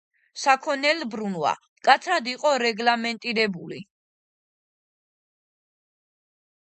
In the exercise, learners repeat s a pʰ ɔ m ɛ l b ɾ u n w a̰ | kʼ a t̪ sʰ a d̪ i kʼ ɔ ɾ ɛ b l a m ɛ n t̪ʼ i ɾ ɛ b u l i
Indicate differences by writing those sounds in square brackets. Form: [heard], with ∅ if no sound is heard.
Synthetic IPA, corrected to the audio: s a [kʰ] ɔ [n] ɛ l b ɾ u n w a̰ | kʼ a t̪ sʰ a d̪ i [qʼ] ɔ ɾ ɛ [ɡ] l a m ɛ n t̪ʼ i ɾ ɛ b u l i